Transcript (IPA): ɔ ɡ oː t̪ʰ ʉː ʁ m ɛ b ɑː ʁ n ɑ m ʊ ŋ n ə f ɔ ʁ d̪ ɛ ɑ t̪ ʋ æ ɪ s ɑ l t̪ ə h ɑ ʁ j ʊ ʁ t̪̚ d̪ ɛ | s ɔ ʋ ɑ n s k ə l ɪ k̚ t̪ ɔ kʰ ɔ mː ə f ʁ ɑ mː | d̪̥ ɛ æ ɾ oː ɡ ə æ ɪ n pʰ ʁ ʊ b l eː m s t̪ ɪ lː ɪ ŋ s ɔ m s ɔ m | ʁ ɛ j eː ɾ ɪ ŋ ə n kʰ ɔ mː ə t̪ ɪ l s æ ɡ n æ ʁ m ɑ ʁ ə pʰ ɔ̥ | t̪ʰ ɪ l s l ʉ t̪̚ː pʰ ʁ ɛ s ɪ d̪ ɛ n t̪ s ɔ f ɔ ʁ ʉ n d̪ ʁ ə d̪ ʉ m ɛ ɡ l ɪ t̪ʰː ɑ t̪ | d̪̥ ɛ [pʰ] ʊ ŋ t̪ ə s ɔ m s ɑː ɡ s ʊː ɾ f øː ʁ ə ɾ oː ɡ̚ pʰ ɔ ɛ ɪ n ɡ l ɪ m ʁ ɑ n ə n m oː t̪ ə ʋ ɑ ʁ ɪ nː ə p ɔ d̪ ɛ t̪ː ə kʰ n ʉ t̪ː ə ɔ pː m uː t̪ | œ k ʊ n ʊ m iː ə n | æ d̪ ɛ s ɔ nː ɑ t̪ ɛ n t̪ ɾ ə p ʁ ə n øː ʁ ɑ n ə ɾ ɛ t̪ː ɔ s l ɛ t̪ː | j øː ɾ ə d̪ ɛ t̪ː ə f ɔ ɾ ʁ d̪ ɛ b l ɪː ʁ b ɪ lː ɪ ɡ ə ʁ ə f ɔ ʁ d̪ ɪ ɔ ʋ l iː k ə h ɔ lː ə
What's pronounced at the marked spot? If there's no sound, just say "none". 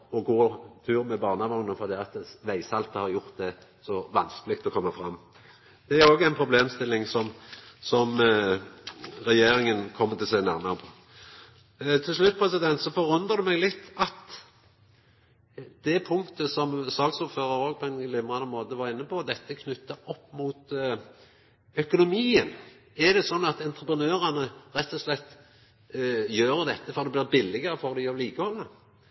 pʰ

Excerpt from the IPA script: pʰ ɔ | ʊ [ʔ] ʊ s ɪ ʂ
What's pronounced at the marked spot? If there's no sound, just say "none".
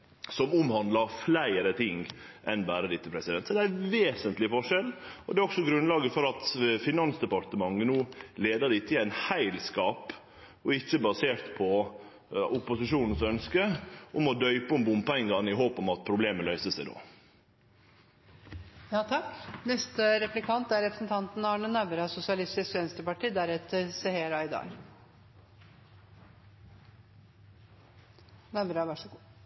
p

